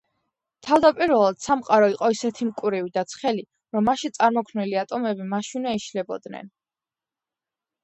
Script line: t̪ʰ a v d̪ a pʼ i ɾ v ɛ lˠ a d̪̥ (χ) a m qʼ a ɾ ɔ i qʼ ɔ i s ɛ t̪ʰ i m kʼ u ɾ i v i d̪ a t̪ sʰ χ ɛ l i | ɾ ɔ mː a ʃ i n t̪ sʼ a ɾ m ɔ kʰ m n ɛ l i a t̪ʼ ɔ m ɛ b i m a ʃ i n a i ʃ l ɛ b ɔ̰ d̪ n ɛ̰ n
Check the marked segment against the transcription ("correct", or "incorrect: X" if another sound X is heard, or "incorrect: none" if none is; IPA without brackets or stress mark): incorrect: s